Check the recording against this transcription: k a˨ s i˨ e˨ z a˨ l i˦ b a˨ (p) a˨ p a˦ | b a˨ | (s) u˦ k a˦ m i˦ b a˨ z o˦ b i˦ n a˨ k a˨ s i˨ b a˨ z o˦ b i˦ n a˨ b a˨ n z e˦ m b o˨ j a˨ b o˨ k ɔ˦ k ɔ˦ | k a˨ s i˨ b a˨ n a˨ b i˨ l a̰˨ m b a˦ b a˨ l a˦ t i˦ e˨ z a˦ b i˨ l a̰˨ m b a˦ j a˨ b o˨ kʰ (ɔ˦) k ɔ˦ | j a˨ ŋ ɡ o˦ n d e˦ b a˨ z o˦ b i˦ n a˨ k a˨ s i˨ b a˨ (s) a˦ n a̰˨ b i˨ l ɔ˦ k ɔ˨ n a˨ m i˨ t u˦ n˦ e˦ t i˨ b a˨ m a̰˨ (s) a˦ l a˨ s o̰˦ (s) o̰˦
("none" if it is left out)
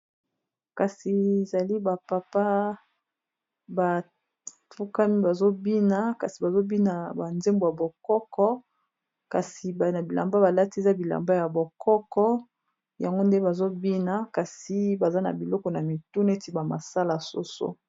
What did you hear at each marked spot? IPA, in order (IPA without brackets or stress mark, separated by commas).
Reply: p, f, ɔ˦, z, s, s